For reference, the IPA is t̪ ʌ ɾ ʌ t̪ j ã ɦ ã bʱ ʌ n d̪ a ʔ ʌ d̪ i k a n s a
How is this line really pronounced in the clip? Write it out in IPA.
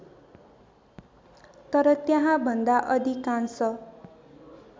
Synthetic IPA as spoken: t̪ ʌ ɾ ʌ t̪ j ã ɦ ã bʱ ʌ n d̪ a ʔ ʌ d̪ i k a n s ʌ